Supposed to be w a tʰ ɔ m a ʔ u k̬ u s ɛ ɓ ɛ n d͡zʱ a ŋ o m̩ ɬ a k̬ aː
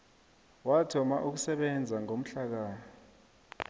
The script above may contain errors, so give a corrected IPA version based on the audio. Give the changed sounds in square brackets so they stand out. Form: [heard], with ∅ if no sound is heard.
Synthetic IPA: w a tʰ ɔ m a ʔ u k̬ u s ɛ ɓ ɛ n d͡zʱ a ŋ o m̩ ɬ a k̬ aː